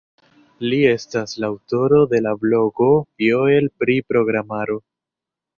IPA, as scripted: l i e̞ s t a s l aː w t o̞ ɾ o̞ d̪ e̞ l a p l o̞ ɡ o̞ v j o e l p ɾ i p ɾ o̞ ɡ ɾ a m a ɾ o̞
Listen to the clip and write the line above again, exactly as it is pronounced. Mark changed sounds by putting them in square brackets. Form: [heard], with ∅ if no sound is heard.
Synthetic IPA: l i e̞ s t a s l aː w t o̞ ɾ o̞ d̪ e̞ l a [b] l o̞ ɡ o̞ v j o e l p ɾ i p ɾ o̞ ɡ ɾ a m a ɾ o̞